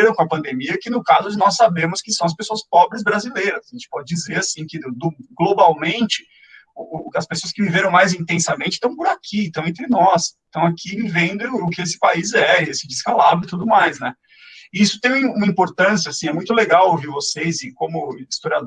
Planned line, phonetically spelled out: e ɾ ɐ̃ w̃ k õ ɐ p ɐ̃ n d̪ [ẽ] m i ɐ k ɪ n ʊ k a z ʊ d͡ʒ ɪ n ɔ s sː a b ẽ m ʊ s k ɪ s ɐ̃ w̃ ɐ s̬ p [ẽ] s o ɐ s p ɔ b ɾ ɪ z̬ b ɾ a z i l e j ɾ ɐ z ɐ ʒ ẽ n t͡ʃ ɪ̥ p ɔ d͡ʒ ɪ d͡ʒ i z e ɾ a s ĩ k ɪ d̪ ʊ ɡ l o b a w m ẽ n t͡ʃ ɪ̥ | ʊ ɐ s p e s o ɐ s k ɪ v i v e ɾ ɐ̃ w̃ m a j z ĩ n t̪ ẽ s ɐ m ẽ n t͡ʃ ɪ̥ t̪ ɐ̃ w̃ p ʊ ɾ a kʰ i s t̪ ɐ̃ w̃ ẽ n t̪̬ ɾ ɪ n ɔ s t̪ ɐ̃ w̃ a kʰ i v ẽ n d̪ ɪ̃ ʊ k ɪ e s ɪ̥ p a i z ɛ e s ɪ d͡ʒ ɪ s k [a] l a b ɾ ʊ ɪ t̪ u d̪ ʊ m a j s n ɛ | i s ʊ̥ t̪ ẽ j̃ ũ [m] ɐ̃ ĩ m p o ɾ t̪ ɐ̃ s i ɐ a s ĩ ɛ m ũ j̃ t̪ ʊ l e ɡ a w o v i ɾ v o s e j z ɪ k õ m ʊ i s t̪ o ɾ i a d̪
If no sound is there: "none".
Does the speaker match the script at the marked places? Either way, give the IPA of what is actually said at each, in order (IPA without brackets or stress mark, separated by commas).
e, e, a, m